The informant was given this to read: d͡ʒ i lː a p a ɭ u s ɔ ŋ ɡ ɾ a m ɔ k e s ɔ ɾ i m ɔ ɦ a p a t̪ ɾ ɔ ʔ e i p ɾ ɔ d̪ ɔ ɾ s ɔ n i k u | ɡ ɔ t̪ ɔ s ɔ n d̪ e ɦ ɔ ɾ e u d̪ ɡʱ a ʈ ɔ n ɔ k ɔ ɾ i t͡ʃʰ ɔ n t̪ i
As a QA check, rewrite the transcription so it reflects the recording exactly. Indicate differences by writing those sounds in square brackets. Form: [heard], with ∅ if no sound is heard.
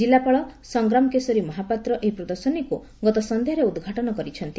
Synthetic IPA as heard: d͡ʒ i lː a p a ɭ [ɔ] s ɔ ŋ ɡ ɾ a m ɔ k e s ɔ ɾ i m ɔ ɦ a p a t̪ ɾ ɔ ʔ e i p ɾ ɔ d̪ ɔ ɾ s ɔ n i k u | ɡ ɔ t̪ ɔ s ɔ n d̪ e ɦ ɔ ɾ e u d̪ ɡʱ a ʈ ɔ n ɔ k ɔ ɾ i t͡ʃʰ ɔ n t̪ i